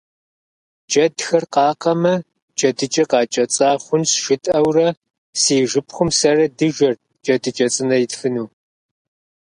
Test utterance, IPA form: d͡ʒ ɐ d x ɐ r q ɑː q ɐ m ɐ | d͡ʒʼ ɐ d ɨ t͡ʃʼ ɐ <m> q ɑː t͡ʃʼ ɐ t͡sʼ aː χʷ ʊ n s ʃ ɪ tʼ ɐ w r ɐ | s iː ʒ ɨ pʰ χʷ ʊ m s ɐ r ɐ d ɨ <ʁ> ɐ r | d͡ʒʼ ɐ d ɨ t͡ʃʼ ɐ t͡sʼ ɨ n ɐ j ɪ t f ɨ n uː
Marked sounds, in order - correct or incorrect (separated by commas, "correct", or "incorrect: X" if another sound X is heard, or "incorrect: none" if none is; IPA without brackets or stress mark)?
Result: incorrect: none, incorrect: ʒ